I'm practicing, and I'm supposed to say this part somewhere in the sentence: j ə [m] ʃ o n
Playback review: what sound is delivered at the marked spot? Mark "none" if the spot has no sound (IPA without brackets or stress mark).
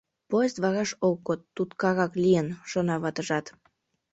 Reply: n